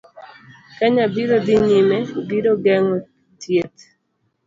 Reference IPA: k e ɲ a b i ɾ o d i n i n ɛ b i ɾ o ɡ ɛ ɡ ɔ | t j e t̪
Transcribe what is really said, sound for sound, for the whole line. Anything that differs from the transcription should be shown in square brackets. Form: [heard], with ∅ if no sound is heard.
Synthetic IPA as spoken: k [a] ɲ a b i ɾ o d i [ɲ] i [m] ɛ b i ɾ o ɡ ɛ [ŋ] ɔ | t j e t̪

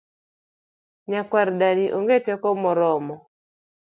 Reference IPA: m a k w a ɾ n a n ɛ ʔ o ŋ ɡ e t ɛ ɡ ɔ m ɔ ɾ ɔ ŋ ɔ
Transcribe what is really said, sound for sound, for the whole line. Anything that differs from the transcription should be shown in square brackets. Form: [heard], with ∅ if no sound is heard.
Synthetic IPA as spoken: [ɲ] a k w a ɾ [d] a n [i] ʔ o ŋ ɡ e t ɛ [k] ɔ m ɔ ɾ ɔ [m] ɔ

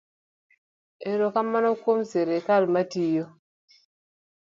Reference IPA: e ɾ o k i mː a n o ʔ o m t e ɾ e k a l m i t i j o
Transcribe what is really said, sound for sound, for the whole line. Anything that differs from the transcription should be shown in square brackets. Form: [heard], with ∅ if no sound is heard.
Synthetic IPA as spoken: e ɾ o k [a] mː a n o [k] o m [s] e ɾ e k a l m [a] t i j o

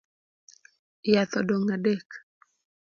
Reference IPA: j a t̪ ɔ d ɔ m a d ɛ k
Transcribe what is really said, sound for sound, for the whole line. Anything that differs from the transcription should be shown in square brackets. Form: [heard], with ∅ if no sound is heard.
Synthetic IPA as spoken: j a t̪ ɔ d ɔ [ŋ] a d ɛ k

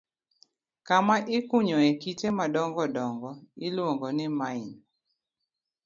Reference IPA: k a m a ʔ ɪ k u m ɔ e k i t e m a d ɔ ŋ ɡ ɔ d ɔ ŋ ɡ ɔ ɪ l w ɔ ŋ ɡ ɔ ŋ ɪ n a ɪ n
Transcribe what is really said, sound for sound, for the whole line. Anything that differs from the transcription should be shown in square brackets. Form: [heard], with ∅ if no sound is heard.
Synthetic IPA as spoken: k a m a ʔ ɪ k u [ɲ] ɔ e k i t e m a d ɔ ŋ ɡ ɔ d ɔ ŋ ɡ ɔ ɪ l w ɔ ŋ ɡ ɔ [n] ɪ [m] a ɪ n

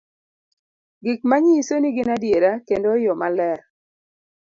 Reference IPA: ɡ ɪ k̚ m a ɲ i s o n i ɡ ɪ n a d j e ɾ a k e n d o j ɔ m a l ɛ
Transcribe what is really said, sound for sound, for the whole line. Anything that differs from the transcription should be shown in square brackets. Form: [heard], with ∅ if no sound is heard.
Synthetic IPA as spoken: ɡ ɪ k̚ m a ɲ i s o n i ɡ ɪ n a d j e ɾ a k e n d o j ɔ m a l ɛ

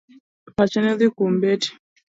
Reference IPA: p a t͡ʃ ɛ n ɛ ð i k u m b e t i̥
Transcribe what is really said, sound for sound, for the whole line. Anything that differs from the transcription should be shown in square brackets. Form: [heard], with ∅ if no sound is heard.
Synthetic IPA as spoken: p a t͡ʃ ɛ n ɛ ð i k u m b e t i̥

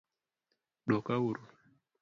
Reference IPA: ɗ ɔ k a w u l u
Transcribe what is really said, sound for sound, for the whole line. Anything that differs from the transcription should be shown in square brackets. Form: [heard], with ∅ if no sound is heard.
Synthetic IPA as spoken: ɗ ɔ k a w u [ɾ] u

